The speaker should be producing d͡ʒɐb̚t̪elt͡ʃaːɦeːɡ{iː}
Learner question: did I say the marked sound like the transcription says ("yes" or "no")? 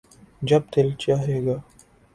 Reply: no